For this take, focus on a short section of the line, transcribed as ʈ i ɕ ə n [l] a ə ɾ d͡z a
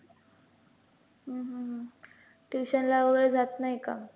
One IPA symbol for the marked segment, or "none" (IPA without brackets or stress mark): l